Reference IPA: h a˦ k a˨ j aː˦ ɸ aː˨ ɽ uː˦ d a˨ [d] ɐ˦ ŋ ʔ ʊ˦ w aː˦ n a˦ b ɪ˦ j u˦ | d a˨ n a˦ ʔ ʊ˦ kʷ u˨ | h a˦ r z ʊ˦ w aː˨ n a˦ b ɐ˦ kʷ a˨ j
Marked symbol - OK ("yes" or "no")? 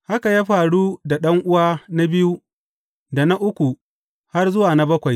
no